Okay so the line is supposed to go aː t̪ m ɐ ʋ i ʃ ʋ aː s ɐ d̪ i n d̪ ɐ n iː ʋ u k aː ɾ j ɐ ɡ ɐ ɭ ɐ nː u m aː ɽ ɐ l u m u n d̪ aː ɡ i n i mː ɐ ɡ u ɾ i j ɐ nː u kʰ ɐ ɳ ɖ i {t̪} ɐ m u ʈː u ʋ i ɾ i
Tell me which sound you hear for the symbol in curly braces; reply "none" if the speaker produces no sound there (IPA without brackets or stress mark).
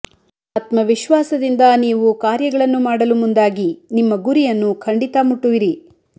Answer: t̪